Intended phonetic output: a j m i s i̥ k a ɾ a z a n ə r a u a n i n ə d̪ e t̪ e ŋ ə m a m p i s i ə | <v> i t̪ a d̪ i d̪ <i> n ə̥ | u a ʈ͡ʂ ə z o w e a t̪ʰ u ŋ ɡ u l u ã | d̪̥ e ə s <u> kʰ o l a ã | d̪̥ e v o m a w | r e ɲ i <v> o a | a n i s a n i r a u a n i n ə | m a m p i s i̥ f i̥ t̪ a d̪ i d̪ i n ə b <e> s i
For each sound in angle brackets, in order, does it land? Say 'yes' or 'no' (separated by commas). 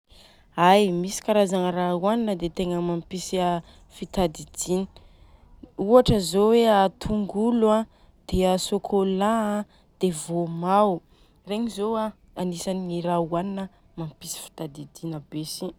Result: no, yes, no, no, yes